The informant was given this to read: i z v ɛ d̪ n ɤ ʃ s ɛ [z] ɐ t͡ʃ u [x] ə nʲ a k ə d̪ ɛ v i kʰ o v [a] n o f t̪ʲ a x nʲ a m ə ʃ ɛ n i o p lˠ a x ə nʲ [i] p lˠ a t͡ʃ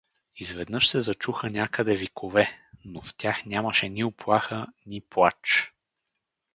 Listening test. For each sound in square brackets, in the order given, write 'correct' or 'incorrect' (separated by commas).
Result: correct, correct, incorrect, correct